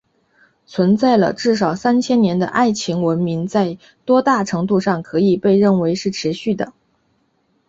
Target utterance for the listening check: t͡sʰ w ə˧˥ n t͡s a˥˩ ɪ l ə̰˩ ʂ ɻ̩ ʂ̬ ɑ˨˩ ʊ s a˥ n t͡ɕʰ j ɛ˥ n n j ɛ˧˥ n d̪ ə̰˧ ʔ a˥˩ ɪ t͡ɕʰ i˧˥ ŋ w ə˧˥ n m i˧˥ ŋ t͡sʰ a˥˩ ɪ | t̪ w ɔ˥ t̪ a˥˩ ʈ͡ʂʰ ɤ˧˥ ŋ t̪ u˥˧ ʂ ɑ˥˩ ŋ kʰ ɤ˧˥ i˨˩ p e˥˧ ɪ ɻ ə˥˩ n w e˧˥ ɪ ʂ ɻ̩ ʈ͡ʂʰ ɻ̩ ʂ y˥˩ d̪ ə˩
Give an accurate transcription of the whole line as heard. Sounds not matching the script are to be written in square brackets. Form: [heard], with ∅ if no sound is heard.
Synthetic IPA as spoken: t͡sʰ w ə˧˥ n t͡s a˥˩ ɪ l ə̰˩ [ʈ͡ʂ] ɻ̩ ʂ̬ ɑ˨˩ ʊ s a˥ n t͡ɕʰ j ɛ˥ n n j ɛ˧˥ n d̪ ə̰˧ ʔ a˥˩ ɪ t͡ɕʰ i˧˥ ŋ w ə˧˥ n m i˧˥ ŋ [t͡s] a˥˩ ɪ | t̪ w ɔ˥ t̪ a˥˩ ʈ͡ʂʰ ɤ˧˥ ŋ t̪ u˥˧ ʂ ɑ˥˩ ŋ kʰ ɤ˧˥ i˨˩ p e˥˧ ɪ ɻ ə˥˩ n w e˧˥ ɪ ʂ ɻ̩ ʈ͡ʂʰ ɻ̩ [ɕ] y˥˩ d̪ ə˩